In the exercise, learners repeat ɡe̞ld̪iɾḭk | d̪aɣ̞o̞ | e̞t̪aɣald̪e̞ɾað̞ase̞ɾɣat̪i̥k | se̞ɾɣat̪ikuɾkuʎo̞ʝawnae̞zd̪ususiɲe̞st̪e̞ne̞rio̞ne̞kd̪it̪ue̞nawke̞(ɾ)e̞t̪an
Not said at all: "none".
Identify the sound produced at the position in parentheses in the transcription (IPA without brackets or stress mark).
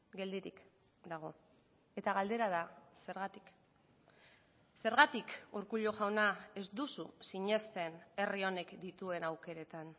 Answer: ɾ